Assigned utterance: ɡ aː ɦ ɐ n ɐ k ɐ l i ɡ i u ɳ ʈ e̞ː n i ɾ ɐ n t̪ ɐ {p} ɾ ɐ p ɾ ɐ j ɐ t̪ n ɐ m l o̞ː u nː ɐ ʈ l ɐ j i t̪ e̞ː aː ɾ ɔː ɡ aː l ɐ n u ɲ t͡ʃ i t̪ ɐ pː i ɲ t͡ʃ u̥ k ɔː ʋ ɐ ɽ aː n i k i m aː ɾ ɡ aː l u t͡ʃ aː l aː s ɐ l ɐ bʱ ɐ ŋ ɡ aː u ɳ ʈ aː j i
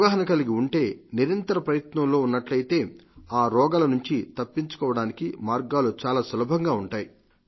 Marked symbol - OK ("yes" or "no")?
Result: no